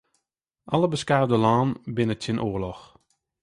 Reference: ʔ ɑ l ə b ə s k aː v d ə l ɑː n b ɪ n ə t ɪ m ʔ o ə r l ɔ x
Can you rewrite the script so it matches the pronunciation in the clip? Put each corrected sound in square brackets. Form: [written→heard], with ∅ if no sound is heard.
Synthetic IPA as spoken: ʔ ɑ l ə b ə s k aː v d ə l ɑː n b ɪ n ə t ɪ [m→n] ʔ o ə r l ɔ x